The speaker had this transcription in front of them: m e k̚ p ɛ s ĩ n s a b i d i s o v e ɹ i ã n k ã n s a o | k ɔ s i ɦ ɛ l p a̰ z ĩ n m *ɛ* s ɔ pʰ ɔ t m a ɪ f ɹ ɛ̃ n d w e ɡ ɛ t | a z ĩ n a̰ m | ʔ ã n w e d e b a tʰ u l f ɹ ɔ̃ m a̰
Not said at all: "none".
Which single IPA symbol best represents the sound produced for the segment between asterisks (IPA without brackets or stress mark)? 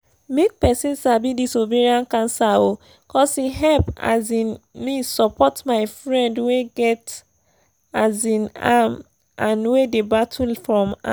i